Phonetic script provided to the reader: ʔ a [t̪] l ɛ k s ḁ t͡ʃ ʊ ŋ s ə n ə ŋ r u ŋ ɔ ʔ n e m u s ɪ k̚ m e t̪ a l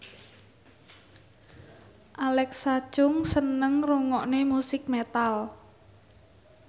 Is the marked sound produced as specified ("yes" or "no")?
no